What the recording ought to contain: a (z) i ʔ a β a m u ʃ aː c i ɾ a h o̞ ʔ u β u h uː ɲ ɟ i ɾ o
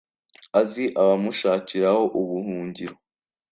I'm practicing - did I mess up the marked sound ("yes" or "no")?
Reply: no